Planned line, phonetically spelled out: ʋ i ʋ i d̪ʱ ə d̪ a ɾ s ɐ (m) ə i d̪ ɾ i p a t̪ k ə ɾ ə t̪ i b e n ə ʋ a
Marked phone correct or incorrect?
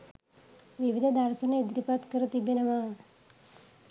incorrect